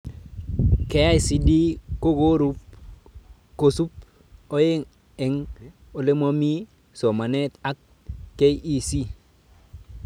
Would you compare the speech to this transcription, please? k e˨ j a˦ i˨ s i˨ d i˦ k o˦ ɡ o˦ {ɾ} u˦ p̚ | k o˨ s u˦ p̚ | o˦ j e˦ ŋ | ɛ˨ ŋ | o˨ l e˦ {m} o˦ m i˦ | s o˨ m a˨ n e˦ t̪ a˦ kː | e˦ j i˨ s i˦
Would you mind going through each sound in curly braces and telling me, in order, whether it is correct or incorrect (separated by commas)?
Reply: correct, correct